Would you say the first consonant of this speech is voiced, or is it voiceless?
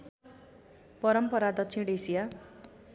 voiceless